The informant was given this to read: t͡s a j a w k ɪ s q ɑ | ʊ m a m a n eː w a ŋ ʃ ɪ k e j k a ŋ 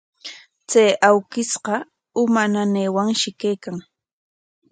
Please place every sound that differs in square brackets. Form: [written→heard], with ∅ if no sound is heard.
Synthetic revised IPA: t͡s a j a w k ɪ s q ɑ | ʊ m a [m→n] a n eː w a ŋ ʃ ɪ k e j k a ŋ